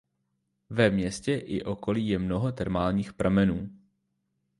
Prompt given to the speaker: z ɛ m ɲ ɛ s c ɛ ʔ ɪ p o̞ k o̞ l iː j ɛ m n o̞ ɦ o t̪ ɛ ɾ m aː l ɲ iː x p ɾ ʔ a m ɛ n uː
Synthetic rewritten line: v ɛ m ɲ ɛ s c ɛ ʔ ɪ ʔ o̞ k o̞ l iː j ɛ m n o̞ ɦ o t̪ ɛ ɾ m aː l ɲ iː x p ɾ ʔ a m ɛ n uː